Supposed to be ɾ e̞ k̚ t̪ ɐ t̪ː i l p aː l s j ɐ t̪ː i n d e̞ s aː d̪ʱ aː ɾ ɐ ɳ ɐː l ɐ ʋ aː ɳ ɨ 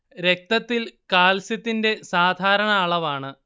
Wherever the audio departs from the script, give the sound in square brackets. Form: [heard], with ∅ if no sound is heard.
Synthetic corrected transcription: ɾ e̞ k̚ t̪ ɐ t̪ː i l [k] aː l s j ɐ t̪ː i n d e̞ s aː d̪ʱ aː ɾ ɐ ɳ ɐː [ɭ] ɐ ʋ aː ɳ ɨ